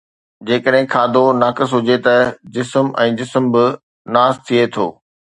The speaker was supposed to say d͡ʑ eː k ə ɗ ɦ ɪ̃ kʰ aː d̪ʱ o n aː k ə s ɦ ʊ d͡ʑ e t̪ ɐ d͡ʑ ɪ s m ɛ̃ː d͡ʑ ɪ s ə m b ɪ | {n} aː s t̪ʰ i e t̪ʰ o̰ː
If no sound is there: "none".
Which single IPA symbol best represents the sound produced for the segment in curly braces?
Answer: n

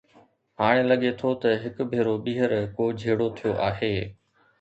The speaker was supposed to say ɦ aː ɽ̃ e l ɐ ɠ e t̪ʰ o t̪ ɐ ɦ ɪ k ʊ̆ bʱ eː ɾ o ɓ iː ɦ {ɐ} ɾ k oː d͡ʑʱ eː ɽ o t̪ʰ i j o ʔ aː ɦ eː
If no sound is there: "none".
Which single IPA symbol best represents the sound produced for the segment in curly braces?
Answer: ə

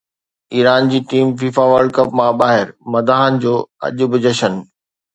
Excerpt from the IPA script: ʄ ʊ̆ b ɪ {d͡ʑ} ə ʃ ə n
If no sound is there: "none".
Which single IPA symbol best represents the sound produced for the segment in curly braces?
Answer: d͡ʑ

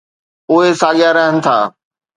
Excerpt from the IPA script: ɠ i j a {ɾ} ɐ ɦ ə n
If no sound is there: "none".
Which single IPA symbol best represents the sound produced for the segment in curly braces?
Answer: ɾ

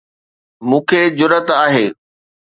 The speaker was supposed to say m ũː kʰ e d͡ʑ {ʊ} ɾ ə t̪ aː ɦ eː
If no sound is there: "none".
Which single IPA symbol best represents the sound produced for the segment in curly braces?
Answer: ʊ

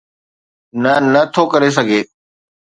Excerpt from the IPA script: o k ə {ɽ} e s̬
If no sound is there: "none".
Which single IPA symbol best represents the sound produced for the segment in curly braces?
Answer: ɾ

